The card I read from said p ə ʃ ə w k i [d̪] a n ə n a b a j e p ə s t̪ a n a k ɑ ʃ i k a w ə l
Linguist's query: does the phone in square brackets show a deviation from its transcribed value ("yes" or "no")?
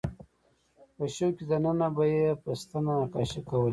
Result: no